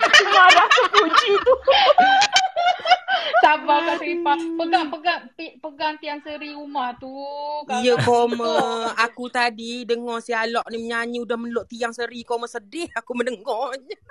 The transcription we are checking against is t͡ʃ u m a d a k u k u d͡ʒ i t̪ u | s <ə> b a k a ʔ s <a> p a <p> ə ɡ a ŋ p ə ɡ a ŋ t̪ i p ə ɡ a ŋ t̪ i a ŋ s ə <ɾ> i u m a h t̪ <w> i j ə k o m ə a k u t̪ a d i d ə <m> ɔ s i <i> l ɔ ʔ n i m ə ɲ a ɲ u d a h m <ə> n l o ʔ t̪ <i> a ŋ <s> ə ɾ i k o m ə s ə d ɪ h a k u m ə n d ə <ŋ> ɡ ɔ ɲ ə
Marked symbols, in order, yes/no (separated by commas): no, no, yes, yes, no, no, no, yes, yes, yes, yes